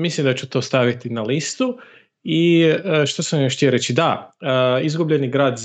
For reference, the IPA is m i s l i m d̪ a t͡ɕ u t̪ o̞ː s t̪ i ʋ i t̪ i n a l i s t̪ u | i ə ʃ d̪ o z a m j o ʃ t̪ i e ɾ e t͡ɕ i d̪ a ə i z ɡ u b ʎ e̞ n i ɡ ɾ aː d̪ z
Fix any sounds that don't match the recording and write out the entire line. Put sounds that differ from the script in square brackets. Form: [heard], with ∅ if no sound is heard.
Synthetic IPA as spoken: m i s l i m d̪ a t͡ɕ u t̪ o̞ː s t̪ [a] ʋ i t̪ i n a l i s t̪ u | i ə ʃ [t̪] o [s] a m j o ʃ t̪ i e ɾ e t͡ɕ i d̪ a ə i z ɡ u b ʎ e̞ n i ɡ ɾ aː d̪ z